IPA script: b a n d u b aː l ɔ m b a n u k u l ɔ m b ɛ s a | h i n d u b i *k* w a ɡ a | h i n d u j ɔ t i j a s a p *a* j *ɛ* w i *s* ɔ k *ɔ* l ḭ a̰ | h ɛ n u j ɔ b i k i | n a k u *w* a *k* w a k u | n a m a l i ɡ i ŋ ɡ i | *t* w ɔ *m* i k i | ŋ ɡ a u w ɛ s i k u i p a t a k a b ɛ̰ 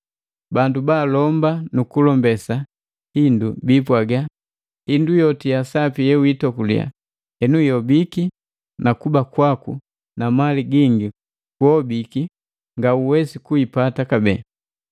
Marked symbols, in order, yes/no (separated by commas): no, no, yes, no, no, no, yes, no, no